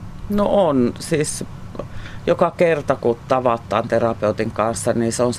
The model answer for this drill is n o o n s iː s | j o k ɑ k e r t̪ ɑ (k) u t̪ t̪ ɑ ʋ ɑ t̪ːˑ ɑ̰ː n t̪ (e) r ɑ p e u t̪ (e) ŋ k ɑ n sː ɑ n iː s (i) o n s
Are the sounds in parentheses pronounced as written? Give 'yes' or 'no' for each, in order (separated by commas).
yes, yes, no, no